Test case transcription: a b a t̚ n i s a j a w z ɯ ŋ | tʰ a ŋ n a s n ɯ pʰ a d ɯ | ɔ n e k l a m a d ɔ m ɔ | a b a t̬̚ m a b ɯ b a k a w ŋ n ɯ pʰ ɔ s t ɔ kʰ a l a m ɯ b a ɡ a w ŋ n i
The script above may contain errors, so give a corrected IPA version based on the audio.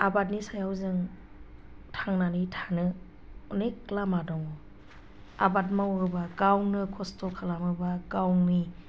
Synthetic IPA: a b a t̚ n i s a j a w z ɯ ŋ | tʰ a ŋ n a n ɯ tʰ a n ɯ | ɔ n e k l a m a d ɔ ŋ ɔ | a b a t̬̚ m a w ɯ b a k a w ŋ n ɯ kʰ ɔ s t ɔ kʰ a l a m ɯ b a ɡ a w ŋ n i